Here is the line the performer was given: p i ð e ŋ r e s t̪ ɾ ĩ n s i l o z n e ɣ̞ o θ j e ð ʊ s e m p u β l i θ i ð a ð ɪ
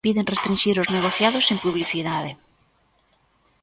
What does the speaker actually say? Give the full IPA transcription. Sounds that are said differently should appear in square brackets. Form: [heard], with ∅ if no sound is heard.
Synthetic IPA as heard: p i ð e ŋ r e s t̪ ɾ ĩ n [ʃ] i [ɾ] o z n e ɣ̞ o θ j [a] ð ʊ s e m p u β l i θ i ð a ð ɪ